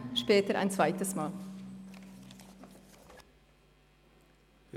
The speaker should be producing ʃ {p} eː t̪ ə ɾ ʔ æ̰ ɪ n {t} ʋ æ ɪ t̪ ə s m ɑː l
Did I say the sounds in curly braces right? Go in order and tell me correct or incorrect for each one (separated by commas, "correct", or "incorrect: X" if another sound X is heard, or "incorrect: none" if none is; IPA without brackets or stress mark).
correct, incorrect: s